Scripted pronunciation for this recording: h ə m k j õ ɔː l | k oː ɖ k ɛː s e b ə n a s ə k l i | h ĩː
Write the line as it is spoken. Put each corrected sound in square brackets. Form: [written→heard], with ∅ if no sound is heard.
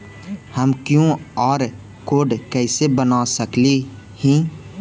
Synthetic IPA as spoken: h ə m k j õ ɔː [l→ɾ] | k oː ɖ k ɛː s e b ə n a s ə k l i | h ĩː